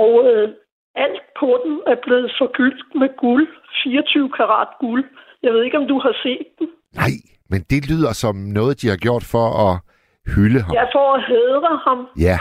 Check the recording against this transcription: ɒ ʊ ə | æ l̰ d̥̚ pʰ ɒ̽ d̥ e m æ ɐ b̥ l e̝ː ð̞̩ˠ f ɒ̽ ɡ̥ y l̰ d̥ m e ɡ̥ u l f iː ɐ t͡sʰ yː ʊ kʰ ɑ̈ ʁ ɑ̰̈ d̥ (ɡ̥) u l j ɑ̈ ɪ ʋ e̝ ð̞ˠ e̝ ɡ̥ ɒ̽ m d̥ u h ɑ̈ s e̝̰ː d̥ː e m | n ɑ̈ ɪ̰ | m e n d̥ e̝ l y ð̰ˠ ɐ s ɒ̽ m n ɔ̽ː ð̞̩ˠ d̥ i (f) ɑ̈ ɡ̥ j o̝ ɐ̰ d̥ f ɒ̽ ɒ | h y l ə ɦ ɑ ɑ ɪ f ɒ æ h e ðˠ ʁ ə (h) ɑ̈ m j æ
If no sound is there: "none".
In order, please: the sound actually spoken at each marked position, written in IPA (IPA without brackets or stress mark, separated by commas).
ɡ̥, h, h